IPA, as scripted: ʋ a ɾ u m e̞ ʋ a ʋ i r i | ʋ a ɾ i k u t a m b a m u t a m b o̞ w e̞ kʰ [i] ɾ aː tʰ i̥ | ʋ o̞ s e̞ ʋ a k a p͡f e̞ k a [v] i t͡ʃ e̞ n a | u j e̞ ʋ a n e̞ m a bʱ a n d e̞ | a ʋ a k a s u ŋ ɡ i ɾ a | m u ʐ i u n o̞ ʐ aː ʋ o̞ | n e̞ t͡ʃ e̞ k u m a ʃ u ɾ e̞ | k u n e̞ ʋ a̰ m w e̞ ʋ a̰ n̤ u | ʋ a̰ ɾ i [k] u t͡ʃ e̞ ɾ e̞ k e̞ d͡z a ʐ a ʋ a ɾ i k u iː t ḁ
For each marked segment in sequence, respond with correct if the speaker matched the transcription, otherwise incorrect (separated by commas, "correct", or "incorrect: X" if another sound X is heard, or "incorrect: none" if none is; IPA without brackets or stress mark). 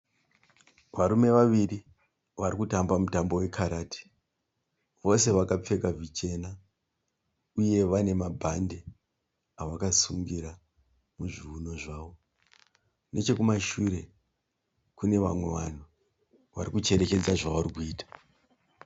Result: incorrect: a, correct, correct